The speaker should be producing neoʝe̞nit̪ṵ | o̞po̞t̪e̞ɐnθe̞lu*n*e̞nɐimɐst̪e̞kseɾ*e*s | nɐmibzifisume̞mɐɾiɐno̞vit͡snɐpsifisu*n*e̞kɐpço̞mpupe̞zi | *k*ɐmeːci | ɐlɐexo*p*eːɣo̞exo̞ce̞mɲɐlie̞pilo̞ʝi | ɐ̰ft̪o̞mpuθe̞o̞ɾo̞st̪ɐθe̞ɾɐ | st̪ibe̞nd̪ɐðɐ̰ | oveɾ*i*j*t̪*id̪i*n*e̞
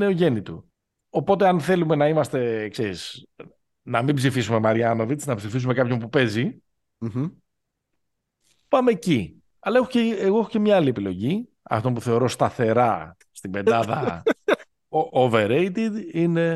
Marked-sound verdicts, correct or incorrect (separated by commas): incorrect, incorrect, incorrect, incorrect, incorrect, incorrect, correct, correct